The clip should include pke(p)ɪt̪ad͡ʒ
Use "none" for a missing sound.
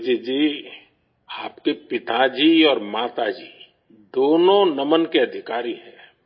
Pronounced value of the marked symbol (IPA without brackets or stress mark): p